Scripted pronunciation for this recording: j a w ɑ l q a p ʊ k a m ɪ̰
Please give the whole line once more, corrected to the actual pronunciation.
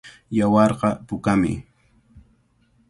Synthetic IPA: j a w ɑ ɾ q ɑ p ʊ k a m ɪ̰